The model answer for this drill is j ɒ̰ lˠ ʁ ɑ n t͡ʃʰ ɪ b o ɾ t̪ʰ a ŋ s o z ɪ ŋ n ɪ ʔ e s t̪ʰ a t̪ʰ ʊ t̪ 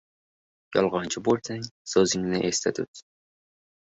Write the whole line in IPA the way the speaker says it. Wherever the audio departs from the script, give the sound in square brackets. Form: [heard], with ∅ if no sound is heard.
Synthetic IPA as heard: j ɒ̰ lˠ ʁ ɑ n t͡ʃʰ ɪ b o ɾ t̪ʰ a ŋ s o z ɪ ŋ n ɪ ʔ e s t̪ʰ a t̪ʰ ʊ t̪